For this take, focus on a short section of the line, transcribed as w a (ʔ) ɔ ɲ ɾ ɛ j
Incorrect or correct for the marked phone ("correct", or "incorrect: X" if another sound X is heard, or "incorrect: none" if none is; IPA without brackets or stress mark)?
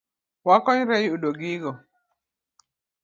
incorrect: k